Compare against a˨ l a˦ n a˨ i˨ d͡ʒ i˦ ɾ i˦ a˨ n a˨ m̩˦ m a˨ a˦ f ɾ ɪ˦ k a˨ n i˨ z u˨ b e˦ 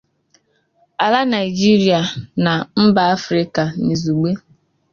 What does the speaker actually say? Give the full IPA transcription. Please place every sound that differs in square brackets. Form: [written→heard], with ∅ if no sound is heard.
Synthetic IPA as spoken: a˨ l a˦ n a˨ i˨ d͡ʒ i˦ ɾ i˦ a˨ n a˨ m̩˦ [m→b] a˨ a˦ f ɾ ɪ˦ k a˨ n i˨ z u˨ [b→ɡ͡b] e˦